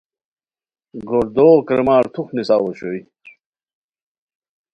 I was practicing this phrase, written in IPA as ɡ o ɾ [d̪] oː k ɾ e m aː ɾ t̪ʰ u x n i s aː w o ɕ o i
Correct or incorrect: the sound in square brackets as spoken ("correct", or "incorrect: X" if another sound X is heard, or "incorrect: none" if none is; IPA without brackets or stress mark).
correct